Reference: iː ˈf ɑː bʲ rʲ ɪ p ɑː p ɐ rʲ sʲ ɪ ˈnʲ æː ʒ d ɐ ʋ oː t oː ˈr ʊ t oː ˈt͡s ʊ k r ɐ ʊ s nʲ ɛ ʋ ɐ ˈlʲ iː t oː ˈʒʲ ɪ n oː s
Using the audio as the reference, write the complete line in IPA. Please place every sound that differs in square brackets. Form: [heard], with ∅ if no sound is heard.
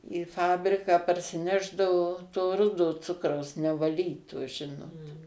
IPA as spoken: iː ˈf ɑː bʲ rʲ ɪ [k] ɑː p ɐ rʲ sʲ ɪ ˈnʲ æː ʒ d ɐ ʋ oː t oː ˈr ʊ [d] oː ˈt͡s ʊ k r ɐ ʊ s nʲ ɛ ʋ ɐ ˈlʲ iː t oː ˈʒʲ ɪ n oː [t]